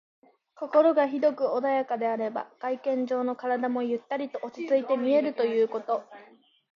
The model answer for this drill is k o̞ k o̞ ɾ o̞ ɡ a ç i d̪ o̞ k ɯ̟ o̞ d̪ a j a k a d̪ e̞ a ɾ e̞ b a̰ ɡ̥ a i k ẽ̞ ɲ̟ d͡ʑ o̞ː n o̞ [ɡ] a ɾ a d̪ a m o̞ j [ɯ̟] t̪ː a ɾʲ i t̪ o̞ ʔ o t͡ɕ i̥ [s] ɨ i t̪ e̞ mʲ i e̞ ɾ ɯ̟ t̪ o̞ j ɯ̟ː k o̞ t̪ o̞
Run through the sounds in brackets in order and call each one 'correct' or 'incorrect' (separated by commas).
incorrect, correct, incorrect